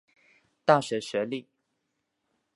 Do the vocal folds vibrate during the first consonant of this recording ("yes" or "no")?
no